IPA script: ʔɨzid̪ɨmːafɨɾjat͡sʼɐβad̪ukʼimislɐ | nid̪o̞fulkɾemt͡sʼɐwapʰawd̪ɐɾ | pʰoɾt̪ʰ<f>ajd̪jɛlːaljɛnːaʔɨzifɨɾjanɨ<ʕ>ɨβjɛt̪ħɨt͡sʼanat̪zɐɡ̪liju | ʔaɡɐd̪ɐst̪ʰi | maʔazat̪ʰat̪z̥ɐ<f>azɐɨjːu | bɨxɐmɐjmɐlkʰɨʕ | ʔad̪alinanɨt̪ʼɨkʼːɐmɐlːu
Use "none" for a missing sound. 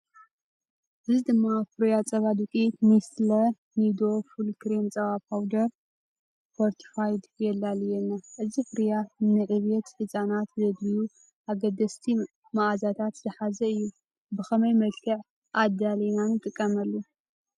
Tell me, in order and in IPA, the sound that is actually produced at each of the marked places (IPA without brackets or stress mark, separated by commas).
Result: f, ʕ, ħ